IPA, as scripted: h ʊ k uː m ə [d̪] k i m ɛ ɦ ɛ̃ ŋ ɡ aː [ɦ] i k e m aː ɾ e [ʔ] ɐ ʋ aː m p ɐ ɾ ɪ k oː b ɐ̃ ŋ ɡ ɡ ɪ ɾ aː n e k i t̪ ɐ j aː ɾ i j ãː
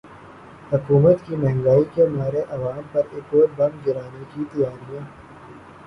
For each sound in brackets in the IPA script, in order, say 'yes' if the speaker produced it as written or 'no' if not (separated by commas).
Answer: no, no, yes